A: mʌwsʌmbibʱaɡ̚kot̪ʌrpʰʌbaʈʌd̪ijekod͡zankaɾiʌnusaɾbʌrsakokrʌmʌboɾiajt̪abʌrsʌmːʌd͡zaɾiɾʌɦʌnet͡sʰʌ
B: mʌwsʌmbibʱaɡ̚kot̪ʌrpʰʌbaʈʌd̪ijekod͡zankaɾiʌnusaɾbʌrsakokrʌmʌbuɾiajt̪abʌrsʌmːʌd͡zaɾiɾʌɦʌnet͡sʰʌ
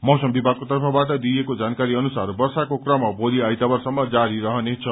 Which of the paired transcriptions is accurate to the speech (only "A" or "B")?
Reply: A